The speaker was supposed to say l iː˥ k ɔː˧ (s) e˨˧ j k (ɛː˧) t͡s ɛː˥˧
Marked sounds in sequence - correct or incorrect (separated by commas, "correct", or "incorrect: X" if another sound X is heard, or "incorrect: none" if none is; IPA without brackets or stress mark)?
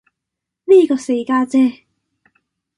correct, incorrect: aː˧